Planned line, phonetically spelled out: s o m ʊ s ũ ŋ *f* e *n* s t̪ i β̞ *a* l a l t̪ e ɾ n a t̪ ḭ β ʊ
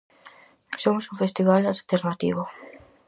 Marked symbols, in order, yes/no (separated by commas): yes, no, yes